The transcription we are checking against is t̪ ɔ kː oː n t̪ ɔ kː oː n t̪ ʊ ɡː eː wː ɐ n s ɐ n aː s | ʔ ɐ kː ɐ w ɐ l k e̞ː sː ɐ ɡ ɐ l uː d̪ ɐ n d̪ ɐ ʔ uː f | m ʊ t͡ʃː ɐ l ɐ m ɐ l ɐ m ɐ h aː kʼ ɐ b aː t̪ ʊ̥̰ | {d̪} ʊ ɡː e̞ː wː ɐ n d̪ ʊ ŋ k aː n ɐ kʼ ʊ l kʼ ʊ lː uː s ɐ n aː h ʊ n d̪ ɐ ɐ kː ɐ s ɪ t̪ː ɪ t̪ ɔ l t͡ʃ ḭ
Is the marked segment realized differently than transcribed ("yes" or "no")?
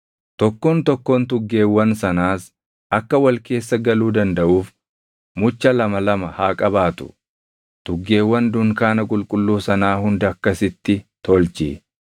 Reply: yes